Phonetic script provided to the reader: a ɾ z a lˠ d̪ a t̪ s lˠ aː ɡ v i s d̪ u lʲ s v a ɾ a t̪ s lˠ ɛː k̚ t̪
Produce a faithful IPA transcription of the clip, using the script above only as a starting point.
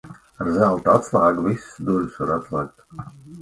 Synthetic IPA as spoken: a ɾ z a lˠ t̪ a t̪ s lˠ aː ɡ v i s d̪ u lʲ s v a ɾ a t̪ s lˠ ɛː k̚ t̪